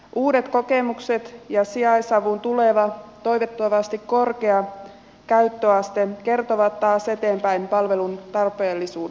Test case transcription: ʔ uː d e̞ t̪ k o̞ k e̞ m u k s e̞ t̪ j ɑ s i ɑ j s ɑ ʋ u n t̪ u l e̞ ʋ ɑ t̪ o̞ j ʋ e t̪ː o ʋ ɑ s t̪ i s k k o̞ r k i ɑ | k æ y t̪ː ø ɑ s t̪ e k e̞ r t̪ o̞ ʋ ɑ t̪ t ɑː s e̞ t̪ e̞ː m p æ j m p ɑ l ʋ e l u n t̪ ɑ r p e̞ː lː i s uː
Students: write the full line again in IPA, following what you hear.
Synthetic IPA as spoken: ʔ uː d e̞ t̪ k o̞ k e̞ m u k s e̞ t̪ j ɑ s i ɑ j s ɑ ʋ u n t̪ u l e̞ ʋ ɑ t̪ o̞ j ʋ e t̪ː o ʋ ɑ s t̪ i k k o̞ r k e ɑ | k æ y t̪ː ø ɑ s t̪ e k e̞ r t̪ o̞ ʋ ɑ t̪ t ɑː s e̞ t̪ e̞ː m p æ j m p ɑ l ʋ e l u n t̪ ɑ r p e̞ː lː i s uː

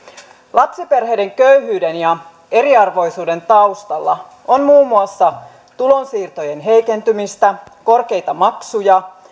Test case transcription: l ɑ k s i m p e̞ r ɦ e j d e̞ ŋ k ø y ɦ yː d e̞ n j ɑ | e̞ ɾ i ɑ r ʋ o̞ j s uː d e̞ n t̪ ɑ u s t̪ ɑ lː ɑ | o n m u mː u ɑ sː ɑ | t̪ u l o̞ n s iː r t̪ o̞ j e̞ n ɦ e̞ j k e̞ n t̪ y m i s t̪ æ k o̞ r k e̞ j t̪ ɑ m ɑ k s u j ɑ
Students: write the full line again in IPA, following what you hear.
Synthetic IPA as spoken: l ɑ p s i p e̞ r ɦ e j d e̞ ŋ k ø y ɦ yː d e̞ n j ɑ | e̞ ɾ i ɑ r ʋ o̞ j s uː d e̞ n t̪ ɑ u s t̪ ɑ lː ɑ | o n m uː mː u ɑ sː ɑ | t̪ u l o̞ n s iː r t̪ o̞ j e̞ n ɦ e̞ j k e̞ n t̪ y m i s t̪ æ k o̞ r k e̞ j t̪ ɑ m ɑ k s u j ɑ

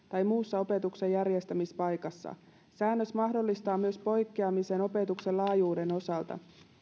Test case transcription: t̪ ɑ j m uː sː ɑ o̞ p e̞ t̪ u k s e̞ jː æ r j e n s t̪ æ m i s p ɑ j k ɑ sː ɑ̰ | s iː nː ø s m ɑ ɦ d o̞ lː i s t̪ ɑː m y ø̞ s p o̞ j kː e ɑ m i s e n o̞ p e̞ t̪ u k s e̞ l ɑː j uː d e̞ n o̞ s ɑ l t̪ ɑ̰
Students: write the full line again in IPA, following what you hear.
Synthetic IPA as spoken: t̪ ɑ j m uː sː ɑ o̞ p e̞ t̪ u k s e̞ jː æ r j e s t̪ æ m i s p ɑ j k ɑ sː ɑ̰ | s æː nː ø s m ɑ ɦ d o̞ lː i s t̪ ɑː m y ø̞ s p o̞ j kː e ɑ m i s e n o̞ p e̞ t̪ u k s e̞ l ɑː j uː d e̞ n o̞ s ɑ l t̪ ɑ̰

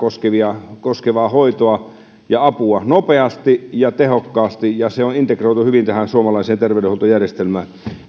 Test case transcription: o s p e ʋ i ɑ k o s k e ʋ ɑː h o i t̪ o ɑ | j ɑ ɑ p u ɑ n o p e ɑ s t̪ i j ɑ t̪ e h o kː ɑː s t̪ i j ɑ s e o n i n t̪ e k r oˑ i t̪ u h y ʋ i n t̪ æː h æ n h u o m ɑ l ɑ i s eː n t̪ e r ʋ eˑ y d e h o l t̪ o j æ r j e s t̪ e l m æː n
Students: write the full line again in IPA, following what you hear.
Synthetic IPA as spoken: o s k e ʋ i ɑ k o s k e ʋ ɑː h o i t̪ o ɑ | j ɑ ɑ p u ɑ n o p e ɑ s t̪ i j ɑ t̪ e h o kː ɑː s t̪ i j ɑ s e o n i n t̪ e k r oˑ i t̪ u h y ʋ i n t̪ æ h æ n s u o m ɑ l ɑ i s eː n t̪ e r ʋ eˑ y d e h o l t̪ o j æ r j e s t̪ e l m æː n

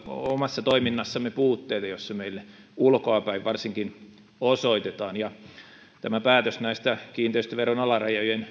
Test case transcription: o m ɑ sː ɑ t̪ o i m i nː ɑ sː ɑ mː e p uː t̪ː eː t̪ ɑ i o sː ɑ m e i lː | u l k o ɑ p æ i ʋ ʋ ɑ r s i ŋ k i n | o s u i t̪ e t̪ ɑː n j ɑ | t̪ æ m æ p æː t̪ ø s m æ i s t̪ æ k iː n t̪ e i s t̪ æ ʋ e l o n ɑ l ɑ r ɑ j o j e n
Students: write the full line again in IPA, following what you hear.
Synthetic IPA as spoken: o m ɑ sː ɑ t̪ o i m i nː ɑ sː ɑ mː e p uː t̪ː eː t̪ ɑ j o sː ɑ m e i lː | u l k o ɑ p æ i ʋ ʋ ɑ r s i ŋ k i n | o s o i t̪ e t̪ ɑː n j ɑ | t̪ æ m æ p æː t̪ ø s n æ i s t̪ æ k iː n t̪ e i s t̪ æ ʋ e r o n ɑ l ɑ r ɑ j o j e n

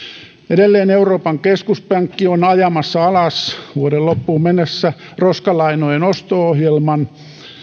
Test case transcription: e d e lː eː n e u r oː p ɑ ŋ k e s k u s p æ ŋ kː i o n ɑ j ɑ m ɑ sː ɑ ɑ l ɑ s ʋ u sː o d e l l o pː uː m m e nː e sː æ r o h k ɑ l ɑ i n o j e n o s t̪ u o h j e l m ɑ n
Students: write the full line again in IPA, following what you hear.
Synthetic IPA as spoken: e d e lː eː n e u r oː p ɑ ŋ k e s k u s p æ ŋ kː i o n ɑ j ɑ m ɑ sː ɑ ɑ l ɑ s ʋ u o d e l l o pː uː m m e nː e sː æ r o s k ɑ l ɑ i n o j e n o s t̪ o o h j e l m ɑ n

